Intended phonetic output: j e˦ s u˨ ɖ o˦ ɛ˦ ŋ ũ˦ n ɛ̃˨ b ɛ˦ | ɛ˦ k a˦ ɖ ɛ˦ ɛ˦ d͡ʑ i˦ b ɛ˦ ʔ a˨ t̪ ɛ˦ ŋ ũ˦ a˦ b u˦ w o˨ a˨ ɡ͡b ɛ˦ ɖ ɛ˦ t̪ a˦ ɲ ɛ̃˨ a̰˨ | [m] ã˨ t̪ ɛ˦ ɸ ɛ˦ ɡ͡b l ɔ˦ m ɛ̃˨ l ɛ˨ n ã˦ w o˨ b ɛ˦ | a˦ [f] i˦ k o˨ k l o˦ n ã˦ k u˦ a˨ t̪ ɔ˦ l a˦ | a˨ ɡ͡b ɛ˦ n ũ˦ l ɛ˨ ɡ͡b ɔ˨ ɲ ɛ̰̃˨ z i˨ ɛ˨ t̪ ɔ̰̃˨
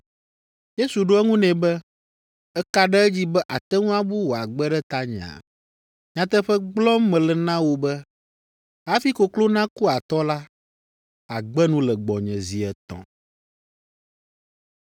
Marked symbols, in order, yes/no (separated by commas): no, yes